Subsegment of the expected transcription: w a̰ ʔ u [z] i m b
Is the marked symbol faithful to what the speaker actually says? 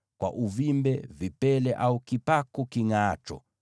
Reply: no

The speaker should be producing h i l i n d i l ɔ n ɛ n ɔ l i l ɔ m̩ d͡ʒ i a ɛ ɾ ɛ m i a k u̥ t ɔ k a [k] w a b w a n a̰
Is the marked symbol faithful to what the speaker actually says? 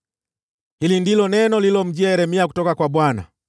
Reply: yes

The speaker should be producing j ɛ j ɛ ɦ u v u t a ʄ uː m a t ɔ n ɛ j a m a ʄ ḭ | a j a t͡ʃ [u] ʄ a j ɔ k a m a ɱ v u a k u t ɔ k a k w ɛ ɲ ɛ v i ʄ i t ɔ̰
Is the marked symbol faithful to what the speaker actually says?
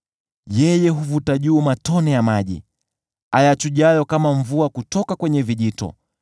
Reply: yes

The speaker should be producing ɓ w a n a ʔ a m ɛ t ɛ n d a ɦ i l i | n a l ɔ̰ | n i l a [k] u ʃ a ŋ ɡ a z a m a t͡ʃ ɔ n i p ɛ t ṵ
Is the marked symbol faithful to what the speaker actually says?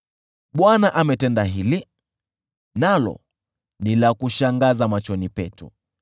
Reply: yes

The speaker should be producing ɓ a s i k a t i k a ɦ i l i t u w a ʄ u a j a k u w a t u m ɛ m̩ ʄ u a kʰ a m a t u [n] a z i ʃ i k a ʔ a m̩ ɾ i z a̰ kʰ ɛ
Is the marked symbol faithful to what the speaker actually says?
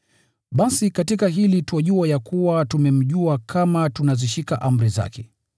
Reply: yes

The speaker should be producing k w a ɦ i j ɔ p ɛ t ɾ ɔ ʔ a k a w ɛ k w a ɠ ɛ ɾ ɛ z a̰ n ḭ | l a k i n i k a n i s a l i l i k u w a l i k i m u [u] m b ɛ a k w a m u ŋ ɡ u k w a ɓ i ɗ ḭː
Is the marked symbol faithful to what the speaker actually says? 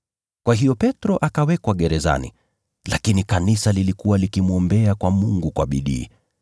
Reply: no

